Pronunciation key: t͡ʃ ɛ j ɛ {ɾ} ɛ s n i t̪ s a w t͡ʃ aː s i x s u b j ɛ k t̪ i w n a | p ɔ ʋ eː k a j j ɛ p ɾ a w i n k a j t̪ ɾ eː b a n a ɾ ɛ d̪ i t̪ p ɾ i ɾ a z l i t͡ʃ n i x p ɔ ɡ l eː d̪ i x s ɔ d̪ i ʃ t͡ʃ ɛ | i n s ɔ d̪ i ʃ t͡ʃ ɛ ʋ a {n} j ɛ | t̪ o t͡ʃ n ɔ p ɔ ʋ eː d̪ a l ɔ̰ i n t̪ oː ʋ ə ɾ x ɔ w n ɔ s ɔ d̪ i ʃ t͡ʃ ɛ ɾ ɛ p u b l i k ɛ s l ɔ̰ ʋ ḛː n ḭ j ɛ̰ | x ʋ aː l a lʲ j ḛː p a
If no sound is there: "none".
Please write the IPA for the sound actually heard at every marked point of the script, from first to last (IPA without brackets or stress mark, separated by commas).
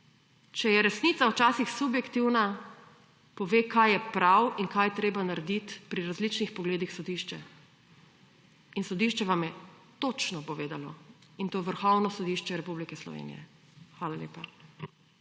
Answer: ɾ, m